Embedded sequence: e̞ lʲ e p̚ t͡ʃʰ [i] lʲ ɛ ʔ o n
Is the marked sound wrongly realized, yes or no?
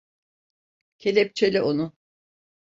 yes